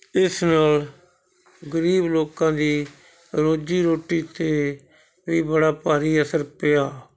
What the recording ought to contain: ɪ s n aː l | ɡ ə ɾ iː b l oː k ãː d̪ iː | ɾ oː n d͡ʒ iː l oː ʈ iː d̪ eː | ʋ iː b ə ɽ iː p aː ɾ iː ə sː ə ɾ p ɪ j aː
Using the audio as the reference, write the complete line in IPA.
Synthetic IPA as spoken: ɪ s n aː l | ɡ ə ɾ iː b l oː k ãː d̪ iː | ɾ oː d͡ʒ iː ɾ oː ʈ iː t̪ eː | ʋ iː b ə ɽ aː p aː ɾ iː ə s ə ɾ p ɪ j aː

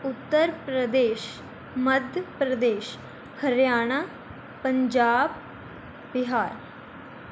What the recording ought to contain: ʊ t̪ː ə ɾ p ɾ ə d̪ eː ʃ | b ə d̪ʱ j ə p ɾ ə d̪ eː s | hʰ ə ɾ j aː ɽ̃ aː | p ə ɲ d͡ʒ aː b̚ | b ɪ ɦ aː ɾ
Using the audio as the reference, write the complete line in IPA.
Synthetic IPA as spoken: ʊ t̪ː ə ɾ p ɾ ə d̪ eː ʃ | m ə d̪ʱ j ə p ɾ ə d̪ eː ʃ | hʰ ə ɾ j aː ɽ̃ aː | p ə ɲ d͡ʒ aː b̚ | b ɪ ɦ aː ɾ

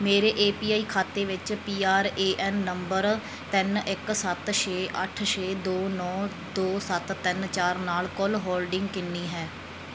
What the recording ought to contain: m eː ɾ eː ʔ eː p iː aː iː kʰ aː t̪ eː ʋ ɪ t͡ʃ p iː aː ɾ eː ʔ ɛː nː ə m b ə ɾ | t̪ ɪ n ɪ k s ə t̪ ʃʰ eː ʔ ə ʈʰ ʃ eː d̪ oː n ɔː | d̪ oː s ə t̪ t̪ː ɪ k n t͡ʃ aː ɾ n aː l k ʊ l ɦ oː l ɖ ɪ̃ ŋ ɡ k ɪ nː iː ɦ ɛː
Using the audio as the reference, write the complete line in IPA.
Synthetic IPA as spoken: m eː ɾ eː ʔ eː p iː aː iː kʰ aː t̪ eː ʋ ɪ t͡ʃ p iː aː ɾ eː ʔ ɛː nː ə m b ə ɾ | t̪ ɪ n ɪ k s ə t̪ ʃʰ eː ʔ ə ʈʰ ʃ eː d̪ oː n ɔː | d̪ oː s ə t̪ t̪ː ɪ n t͡ʃ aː ɾ n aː l k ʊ l ɦ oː l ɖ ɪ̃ ŋ ɡ k ɪ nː iː ɦ ɛː

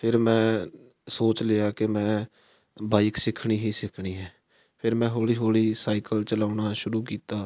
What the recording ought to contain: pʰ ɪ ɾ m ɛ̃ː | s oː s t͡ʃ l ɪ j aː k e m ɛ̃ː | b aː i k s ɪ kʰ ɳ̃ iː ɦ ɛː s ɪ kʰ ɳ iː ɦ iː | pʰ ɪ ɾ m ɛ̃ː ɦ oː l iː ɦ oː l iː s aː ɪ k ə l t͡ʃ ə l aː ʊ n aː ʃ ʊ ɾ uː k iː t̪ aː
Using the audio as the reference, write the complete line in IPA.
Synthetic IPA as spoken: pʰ ɪ ɾ m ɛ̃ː | s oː t͡ʃ l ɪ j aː k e m ɛ̃ː | b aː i k s ɪ kʰ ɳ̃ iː ɦ iː s ɪ kʰ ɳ iː ɦ ɛː | pʰ ɪ ɾ m ɛ̃ː ɦ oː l iː ɦ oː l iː s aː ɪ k ə l t͡ʃ ə l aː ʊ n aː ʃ ʊ ɾ uː k iː t̪ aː

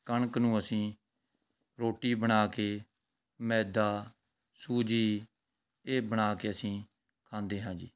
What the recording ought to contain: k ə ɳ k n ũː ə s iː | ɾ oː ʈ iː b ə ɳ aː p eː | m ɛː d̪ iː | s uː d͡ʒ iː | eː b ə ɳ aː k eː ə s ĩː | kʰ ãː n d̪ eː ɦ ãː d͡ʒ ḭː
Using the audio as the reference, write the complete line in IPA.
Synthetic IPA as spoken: k ə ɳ k n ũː ə s ĩː | ɾ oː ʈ iː b ə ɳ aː k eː | m ɛː d̪ aː | s uː d͡ʒ iː | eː b ə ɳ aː k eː ə s ĩː | kʰ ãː n d̪ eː ɦ ãː d͡ʒ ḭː

